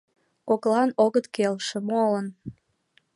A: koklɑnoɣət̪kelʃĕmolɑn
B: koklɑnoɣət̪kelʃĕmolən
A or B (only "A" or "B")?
B